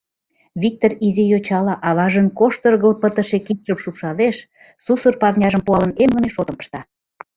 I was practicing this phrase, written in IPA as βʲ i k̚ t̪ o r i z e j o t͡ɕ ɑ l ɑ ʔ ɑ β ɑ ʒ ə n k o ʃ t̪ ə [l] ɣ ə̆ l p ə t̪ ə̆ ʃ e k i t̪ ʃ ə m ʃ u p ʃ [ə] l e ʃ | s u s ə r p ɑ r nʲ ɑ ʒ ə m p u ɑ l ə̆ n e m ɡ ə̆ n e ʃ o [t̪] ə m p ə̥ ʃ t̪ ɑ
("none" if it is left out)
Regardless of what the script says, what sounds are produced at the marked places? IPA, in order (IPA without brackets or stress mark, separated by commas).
r, ɑ, t̪